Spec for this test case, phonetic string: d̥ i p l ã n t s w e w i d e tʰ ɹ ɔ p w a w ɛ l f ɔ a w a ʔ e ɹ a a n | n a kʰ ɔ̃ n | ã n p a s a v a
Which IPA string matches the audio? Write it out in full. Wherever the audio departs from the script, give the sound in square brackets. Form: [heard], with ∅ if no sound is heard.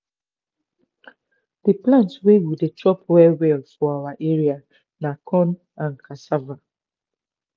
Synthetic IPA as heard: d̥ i p l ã n t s w e w i d e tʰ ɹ ɔ p w [ɛ] w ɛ l f ɔ a w a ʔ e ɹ [i] a [∅] | n a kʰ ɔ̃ n | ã n [k] a s a v a